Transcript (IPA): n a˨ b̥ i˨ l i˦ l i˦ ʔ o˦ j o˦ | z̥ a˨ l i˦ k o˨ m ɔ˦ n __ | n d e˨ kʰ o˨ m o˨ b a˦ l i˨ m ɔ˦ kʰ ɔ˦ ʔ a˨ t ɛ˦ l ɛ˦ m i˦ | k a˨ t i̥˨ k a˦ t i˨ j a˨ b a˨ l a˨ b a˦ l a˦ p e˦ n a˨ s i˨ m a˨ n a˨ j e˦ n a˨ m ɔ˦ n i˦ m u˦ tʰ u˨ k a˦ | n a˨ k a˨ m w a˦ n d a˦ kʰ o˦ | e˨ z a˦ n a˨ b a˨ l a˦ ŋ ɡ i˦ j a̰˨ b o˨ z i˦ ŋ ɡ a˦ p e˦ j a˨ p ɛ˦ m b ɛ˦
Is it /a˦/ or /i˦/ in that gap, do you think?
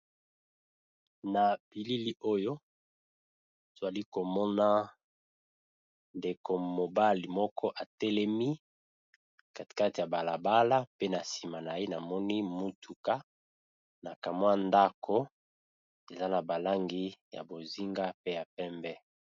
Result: a˦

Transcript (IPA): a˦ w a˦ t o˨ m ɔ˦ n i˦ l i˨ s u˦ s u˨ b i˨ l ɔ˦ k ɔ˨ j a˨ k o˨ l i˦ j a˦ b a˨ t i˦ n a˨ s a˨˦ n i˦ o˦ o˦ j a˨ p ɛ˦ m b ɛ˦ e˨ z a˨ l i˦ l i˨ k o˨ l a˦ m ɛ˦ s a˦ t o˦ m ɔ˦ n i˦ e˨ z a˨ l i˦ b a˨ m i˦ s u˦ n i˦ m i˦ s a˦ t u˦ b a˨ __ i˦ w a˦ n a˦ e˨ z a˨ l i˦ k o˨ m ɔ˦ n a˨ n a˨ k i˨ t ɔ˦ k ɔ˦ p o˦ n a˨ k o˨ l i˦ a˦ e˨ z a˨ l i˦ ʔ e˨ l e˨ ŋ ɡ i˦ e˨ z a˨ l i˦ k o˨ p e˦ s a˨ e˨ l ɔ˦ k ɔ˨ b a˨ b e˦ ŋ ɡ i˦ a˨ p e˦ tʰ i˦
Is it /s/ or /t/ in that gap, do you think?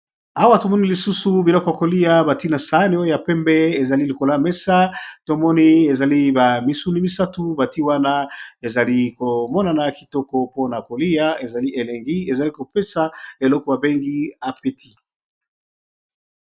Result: t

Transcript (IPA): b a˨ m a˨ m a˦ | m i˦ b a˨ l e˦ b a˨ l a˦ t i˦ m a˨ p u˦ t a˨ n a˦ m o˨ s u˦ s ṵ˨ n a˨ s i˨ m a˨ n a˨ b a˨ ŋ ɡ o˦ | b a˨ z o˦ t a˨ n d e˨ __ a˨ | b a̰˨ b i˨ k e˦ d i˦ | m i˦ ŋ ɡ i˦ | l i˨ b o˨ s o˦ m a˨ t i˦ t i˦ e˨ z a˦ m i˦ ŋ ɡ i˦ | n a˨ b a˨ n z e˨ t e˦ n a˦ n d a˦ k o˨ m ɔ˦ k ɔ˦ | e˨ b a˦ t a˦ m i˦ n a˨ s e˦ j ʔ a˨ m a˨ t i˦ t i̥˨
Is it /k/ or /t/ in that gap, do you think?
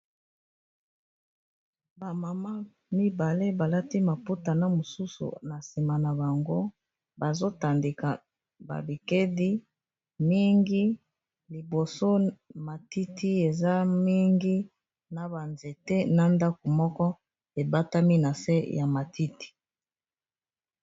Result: k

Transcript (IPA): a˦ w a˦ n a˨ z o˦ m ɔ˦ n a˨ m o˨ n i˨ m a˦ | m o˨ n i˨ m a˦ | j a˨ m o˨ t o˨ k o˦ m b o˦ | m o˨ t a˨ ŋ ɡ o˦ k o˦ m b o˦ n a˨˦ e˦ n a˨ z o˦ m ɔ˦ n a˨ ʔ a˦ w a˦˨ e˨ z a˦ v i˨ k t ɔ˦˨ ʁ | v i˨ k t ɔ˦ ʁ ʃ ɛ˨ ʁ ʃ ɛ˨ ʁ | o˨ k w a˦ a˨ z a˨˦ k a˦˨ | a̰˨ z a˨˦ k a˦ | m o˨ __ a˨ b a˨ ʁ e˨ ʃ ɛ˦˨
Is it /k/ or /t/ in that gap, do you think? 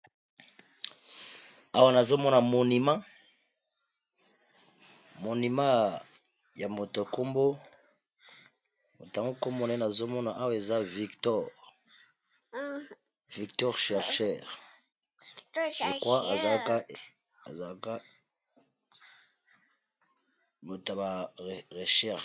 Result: t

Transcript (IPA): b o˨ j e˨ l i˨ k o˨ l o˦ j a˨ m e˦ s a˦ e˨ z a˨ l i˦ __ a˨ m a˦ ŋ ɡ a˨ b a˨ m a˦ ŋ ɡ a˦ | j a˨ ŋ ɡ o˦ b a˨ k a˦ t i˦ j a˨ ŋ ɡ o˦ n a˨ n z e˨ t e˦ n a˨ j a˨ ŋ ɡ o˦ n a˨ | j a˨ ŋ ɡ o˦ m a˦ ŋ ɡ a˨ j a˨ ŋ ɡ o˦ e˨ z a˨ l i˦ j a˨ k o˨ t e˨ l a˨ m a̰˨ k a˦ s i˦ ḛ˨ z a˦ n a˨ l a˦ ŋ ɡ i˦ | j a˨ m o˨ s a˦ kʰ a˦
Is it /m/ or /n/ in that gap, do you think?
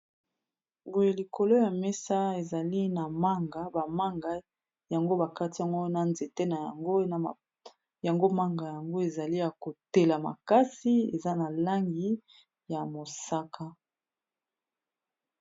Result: n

